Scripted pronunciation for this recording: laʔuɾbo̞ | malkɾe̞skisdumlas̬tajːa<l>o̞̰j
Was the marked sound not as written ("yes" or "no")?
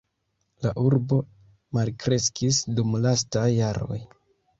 yes